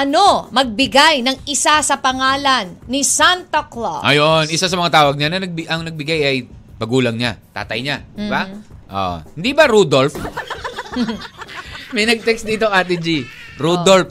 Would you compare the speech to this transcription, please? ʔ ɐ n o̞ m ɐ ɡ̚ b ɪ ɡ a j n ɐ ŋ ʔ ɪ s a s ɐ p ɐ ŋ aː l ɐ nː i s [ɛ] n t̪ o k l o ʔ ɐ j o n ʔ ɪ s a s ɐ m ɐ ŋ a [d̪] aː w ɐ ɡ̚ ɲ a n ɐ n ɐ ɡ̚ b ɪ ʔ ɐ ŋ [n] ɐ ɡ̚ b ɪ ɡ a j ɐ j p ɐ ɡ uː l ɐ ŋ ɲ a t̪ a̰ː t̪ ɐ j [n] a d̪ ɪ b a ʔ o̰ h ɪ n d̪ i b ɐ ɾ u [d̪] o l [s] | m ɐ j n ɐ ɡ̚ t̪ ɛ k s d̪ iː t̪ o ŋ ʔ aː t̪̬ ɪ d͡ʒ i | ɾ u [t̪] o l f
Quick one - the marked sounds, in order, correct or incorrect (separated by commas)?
incorrect, incorrect, correct, incorrect, correct, incorrect, incorrect